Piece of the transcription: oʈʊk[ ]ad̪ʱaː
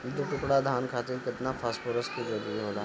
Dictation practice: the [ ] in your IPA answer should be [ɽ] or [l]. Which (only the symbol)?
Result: ɽ